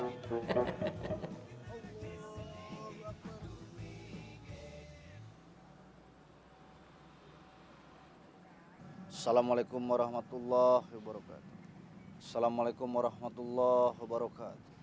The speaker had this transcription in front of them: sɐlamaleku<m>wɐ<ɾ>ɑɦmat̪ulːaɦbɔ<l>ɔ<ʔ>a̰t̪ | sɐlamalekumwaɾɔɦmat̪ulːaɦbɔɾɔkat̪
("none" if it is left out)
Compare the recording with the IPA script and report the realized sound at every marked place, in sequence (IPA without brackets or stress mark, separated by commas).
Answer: m, ɾ, ɾ, k